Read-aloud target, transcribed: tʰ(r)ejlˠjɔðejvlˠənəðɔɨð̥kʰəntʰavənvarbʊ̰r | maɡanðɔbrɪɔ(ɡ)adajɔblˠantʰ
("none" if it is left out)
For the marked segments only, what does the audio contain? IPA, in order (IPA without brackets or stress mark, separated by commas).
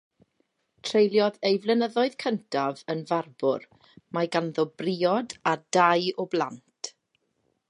r, d